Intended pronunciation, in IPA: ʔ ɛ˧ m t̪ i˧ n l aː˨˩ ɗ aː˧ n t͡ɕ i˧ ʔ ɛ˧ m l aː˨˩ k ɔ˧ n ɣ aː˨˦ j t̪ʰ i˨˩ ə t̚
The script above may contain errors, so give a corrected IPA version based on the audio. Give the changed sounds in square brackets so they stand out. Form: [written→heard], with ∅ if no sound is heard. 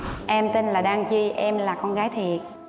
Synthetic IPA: ʔ ɛ˧ m t̪ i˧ n l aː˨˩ ɗ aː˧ [n→ŋ] t͡ɕ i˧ ʔ ɛ˧ m l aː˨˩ k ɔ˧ n ɣ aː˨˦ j t̪ʰ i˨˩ ə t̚